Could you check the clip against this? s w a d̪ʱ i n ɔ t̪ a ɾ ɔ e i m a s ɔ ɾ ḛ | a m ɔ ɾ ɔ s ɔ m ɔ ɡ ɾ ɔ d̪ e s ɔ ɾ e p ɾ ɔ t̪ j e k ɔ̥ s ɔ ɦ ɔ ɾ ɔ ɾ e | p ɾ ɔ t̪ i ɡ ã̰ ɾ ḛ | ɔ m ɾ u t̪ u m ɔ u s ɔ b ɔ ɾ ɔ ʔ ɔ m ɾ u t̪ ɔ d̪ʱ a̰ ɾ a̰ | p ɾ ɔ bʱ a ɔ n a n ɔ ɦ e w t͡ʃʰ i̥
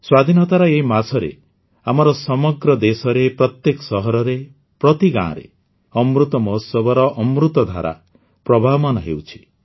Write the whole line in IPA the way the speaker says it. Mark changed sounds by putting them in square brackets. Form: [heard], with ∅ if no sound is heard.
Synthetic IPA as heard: s w a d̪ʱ i n ɔ t̪ a ɾ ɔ e i m a s ɔ ɾ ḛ | a m ɔ ɾ ɔ s ɔ m ɔ ɡ ɾ ɔ d̪ e s ɔ ɾ e p ɾ ɔ t̪ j e k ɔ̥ s ɔ ɦ ɔ ɾ ɔ ɾ e | p ɾ ɔ t̪ i ɡ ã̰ ɾ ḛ | ɔ m ɾ u t̪ [ɔ] m ɔ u s ɔ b ɔ ɾ ɔ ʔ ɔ m ɾ u t̪ ɔ d̪ʱ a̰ ɾ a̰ | p ɾ ɔ bʱ a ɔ [m] a n ɔ ɦ e w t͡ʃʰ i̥